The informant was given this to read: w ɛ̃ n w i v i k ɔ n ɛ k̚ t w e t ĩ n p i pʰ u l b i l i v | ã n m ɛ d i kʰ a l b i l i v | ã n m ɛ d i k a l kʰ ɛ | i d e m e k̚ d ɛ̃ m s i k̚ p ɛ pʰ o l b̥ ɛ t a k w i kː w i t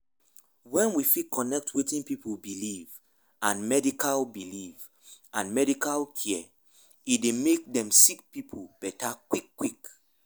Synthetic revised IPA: w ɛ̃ n w i f i k ɔ n ɛ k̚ t w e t ĩ n p i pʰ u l b i l i v | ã n m ɛ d i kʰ a l b i l i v | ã n m ɛ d i k a l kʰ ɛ | i d e m e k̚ d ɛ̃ m s i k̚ p i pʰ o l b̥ ɛ t a k w i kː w i k